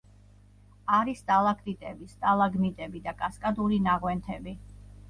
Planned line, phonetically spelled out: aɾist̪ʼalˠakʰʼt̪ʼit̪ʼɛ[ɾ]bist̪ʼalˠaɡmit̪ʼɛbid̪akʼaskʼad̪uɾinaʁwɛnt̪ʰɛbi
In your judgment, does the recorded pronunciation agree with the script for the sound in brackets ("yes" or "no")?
no